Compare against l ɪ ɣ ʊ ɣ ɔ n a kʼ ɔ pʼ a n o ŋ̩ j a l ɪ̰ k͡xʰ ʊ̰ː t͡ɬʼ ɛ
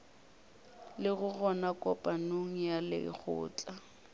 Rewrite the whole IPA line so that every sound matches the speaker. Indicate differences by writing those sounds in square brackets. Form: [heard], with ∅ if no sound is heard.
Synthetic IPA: l ɪ ɣ ʊ ɣ ɔ n a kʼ ɔ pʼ a n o ŋ̩ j a l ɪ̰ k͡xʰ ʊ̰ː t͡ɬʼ [a]